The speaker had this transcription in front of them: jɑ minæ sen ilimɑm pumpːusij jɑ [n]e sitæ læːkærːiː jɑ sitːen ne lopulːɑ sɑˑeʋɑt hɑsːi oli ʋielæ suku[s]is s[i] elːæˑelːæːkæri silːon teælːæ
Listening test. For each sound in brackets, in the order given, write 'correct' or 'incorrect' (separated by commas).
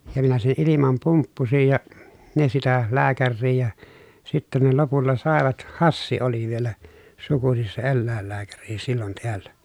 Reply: correct, correct, incorrect